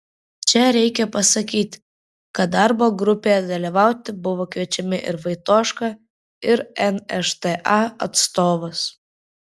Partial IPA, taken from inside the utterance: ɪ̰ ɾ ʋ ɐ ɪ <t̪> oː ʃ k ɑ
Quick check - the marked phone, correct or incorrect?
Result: correct